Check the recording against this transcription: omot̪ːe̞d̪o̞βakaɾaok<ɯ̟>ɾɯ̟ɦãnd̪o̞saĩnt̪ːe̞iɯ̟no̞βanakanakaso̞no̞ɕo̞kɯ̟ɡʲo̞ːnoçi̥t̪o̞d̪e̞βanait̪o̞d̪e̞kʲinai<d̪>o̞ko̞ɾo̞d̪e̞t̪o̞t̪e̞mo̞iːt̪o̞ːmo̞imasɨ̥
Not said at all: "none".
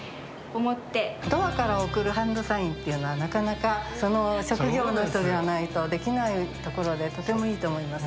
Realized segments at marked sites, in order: ɯ̟, t̪

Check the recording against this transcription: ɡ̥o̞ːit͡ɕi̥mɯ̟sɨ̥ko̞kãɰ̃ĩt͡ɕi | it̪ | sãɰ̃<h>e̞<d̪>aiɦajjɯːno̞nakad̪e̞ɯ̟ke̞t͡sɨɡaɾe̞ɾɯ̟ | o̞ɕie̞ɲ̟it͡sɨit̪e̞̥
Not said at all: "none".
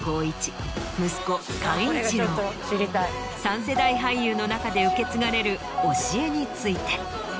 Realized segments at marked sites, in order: s, d̪

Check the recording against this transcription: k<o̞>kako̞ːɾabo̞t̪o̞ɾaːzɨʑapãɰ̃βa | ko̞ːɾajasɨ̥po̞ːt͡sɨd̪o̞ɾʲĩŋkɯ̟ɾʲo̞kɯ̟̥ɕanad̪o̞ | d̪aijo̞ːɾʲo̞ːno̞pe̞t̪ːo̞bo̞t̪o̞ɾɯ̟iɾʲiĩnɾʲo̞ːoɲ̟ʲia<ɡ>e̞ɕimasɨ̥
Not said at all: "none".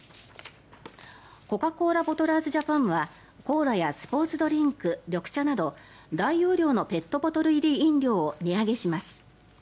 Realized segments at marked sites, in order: o̞, ɡ

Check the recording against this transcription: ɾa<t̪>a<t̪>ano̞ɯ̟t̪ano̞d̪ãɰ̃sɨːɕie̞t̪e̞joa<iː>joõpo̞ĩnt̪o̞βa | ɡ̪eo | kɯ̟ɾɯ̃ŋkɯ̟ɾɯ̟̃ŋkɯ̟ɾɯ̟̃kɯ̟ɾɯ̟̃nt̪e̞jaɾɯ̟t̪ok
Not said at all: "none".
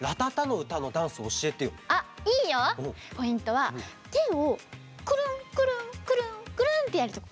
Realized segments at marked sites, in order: t̪, t̪, iː

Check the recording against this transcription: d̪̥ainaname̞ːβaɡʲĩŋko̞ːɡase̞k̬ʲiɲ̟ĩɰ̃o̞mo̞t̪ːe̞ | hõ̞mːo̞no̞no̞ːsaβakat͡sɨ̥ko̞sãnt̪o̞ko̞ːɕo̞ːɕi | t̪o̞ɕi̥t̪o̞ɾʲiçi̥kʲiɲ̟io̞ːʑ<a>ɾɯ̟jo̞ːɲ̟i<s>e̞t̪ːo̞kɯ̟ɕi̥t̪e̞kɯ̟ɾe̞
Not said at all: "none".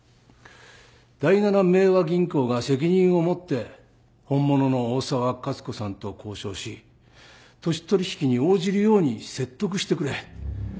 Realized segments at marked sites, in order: i, s

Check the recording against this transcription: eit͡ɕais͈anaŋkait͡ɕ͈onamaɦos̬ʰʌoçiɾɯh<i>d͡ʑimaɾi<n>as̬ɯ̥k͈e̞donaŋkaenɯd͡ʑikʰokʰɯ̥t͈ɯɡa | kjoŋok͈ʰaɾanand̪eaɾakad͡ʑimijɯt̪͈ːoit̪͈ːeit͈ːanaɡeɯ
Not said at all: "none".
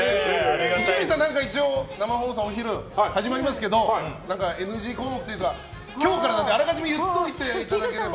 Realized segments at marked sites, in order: a, m

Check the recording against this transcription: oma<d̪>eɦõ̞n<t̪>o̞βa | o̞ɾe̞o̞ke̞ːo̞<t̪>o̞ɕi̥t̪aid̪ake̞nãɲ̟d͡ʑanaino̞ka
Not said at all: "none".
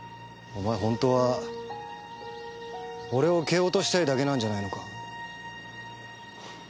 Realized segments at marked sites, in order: none, t̪, t̪

